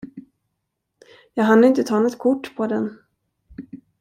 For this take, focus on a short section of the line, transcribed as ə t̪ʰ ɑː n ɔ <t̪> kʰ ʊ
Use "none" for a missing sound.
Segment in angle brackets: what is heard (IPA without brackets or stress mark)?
t̪